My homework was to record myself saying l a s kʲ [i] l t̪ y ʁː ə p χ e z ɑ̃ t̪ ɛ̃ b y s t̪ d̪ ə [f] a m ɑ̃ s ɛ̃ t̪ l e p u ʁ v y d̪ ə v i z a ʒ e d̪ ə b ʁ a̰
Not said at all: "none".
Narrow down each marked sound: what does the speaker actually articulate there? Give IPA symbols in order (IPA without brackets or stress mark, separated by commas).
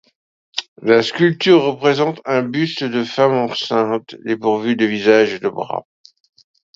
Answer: y, f